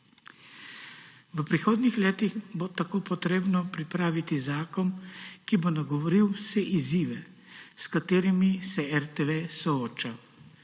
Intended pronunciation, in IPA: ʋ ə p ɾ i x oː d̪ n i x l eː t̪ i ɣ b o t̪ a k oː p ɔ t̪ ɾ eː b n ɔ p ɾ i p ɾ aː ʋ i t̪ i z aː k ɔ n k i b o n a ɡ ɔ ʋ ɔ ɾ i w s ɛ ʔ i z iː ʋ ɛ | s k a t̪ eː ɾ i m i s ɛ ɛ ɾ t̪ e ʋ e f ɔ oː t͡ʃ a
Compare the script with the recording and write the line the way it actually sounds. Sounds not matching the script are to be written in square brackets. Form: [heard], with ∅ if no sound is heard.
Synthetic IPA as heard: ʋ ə p ɾ i x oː d̪ n i x l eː t̪ i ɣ b o t̪ a k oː p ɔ t̪ ɾ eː b n ɔ p ɾ i p ɾ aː ʋ i t̪ i z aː k ɔ n k i b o n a ɡ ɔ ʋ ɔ ɾ i w s ɛ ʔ i z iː ʋ ɛ | s k a t̪ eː ɾ i m i s ɛ ɛ ɾ t̪ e ʋ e [s] ɔ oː t͡ʃ a